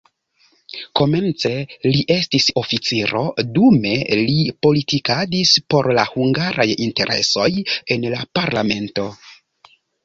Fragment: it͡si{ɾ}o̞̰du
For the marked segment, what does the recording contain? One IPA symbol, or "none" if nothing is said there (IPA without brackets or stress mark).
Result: ɾ